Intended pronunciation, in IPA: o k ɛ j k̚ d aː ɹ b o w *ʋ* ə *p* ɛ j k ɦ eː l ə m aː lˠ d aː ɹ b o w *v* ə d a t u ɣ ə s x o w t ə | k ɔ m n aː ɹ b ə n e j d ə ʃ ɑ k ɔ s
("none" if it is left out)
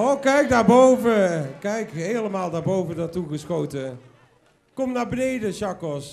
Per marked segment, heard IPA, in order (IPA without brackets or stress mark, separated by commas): v, k, v